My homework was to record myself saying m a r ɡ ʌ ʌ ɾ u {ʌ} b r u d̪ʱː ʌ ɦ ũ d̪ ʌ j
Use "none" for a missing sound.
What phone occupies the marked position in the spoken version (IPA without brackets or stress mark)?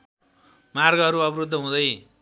ʌ